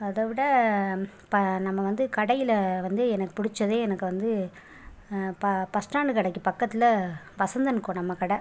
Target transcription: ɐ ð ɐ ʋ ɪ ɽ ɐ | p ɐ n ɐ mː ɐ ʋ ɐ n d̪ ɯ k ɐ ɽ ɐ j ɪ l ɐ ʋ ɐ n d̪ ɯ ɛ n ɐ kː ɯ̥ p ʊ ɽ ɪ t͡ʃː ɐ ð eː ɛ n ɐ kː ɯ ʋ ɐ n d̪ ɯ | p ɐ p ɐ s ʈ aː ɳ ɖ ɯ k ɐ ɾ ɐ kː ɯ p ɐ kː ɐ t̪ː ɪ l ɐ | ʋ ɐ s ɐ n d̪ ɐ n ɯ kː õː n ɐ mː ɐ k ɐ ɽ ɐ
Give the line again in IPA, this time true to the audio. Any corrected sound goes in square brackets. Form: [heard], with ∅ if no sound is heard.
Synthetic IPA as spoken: ɐ ð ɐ ʋ ɪ ɽ ɐ | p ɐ n ɐ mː ɐ ʋ ɐ n d̪ ɯ k ɐ ɽ ɐ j ɪ l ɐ ʋ ɐ n d̪ ɯ ɛ n ɐ kː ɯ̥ p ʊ ɽ ɪ t͡ʃː ɐ ð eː ɛ n ɐ kː ɯ ʋ ɐ n d̪ ɯ | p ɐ p ɐ s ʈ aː ɳ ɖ ɯ k ɐ [ɽ] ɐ kː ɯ p ɐ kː ɐ t̪ː ɪ l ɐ | ʋ ɐ s ɐ n d̪ ɐ n ɯ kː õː n ɐ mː ɐ k ɐ ɽ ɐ